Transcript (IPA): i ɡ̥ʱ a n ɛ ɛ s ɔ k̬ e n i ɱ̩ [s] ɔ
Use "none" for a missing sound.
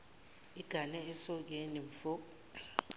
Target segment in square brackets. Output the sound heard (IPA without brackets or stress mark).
f